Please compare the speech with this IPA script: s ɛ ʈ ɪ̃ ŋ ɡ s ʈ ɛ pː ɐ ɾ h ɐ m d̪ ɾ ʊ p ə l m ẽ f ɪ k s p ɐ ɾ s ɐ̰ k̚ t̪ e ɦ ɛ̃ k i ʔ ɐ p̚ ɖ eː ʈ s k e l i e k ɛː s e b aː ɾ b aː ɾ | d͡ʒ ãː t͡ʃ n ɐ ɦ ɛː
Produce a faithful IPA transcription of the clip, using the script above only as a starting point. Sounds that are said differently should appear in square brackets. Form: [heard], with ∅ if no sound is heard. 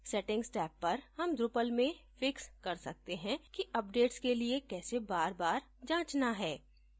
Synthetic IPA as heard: s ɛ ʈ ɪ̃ ŋ ɡ s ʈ [ɛː] pː ɐ ɾ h ɐ m d̪ ɾ ʊ p ə l m ẽ f ɪ k s [k] ɐ ɾ s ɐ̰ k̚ t̪ e ɦ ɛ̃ k i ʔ ɐ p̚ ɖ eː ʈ s k e l i e k ɛː s e b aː ɾ b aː ɾ | d͡ʒ ãː t͡ʃ n [a] ɦ ɛː